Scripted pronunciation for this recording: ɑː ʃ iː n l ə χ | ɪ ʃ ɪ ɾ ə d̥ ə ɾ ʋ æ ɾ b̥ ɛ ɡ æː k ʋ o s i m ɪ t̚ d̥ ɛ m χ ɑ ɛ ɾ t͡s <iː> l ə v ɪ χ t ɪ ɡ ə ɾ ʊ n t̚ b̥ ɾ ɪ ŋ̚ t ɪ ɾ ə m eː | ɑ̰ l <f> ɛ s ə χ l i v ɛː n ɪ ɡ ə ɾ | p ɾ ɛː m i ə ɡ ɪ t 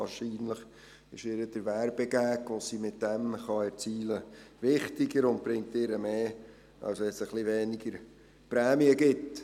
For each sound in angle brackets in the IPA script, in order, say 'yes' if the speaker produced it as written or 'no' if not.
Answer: yes, no

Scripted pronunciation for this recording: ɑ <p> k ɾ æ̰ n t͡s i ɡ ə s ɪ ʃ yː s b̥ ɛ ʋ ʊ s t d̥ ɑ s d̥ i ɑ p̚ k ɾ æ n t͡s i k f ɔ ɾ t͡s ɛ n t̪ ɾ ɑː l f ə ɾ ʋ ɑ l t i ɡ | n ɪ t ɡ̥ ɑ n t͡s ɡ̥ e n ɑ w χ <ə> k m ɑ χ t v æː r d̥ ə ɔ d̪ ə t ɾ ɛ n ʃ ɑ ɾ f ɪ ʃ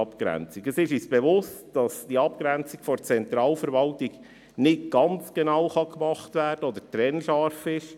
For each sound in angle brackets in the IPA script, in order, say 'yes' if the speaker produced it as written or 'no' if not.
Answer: yes, no

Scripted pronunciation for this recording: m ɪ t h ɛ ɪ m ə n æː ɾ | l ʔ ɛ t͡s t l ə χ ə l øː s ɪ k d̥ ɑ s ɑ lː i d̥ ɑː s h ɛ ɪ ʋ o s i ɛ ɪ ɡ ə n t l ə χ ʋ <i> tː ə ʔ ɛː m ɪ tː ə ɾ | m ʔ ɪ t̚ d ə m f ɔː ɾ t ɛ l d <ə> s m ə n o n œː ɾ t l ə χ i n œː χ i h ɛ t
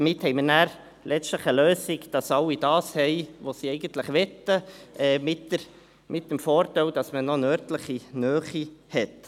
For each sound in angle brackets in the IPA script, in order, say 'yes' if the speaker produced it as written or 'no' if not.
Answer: no, no

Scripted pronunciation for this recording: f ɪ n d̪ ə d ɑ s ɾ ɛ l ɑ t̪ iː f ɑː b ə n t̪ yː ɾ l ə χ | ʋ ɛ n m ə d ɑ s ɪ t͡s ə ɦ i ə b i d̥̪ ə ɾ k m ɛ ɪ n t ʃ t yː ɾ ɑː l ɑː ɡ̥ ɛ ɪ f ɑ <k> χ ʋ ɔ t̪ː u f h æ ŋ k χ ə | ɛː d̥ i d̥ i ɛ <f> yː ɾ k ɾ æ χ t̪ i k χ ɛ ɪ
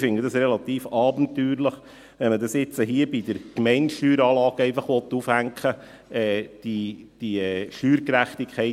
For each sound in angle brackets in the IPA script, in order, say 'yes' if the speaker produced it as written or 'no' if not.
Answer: no, no

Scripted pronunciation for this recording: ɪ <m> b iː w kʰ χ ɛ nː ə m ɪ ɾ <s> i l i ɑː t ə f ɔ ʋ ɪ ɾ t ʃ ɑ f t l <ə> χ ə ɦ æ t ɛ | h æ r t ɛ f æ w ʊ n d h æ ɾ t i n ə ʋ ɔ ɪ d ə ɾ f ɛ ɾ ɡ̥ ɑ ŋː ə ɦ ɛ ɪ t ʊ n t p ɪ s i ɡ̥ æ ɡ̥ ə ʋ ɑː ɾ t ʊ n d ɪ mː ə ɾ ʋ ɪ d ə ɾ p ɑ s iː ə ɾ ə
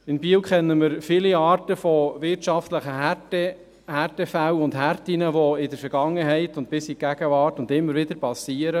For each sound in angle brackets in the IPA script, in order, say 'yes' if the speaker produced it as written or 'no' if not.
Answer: no, no, yes

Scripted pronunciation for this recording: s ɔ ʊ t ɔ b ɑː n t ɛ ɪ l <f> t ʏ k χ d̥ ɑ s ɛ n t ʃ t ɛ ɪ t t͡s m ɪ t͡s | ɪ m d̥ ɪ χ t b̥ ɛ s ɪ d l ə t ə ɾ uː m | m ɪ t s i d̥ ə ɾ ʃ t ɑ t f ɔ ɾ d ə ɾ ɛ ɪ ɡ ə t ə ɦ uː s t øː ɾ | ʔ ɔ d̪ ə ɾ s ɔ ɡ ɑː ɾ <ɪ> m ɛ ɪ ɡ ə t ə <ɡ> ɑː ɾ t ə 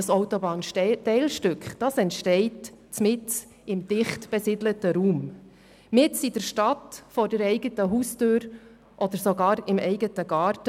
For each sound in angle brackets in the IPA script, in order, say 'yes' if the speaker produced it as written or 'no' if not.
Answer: no, yes, yes

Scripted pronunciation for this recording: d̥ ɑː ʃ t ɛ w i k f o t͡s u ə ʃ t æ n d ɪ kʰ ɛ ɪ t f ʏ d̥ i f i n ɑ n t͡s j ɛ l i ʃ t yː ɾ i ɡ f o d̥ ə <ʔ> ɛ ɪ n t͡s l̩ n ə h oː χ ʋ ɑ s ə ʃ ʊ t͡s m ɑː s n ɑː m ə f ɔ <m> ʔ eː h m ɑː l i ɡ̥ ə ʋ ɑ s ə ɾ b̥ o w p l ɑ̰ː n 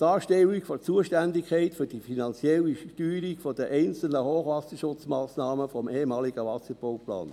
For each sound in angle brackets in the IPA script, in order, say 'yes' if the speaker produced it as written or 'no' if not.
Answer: yes, yes

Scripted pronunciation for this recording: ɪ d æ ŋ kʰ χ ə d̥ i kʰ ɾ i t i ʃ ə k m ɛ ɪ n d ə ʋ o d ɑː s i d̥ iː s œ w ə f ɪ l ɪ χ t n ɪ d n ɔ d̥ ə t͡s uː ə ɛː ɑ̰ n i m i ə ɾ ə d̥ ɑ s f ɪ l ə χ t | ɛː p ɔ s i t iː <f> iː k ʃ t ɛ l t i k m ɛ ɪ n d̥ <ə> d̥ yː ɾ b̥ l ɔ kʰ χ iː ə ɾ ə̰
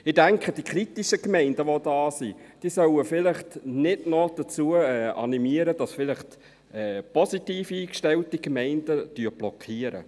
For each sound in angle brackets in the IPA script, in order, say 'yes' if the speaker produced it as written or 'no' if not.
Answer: yes, yes

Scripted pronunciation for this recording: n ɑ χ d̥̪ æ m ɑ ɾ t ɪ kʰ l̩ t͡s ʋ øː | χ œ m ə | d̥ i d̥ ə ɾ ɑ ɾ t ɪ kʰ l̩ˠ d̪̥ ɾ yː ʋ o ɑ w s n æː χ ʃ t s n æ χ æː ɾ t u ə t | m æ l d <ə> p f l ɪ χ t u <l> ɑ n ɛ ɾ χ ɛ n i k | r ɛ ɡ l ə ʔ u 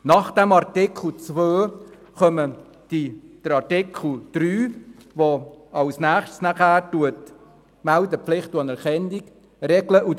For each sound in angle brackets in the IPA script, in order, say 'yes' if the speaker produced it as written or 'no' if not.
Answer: yes, no

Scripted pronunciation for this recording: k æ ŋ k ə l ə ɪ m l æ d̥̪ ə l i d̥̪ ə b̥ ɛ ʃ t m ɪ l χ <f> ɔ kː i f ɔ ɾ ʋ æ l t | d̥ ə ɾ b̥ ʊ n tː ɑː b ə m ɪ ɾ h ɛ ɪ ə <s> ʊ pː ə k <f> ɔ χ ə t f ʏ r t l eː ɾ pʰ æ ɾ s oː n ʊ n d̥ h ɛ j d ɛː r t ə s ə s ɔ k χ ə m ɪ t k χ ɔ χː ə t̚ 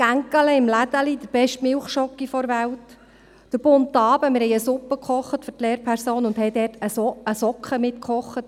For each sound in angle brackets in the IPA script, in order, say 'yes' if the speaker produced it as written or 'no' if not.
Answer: no, yes, no

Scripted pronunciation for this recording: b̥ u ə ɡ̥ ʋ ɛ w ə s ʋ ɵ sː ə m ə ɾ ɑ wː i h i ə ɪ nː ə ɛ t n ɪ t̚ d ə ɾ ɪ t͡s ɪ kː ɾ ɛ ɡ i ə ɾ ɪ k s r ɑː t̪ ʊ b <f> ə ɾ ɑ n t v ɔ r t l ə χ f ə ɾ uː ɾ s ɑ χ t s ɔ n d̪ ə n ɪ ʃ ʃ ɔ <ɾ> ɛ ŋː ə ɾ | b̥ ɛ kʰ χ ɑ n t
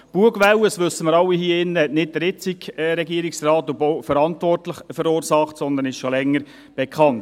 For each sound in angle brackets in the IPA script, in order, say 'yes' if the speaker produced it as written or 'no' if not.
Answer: yes, no

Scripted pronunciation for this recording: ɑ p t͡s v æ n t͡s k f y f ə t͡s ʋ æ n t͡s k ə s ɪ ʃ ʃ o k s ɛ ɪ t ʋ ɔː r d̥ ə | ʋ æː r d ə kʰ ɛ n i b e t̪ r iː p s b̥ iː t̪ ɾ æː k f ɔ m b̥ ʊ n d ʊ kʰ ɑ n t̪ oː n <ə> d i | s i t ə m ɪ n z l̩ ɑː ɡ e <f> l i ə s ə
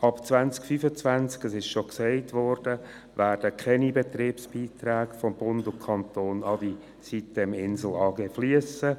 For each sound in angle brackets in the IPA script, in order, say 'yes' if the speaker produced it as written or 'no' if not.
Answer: no, yes

